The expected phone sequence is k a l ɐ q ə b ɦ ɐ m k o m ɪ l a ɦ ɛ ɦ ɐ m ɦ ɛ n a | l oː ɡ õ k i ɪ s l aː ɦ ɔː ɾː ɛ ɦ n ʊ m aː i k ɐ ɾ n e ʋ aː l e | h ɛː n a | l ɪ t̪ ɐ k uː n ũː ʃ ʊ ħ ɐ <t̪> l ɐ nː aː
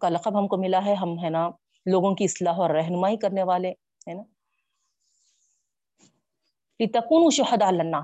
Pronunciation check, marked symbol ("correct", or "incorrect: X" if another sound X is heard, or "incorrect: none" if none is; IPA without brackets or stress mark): incorrect: d̪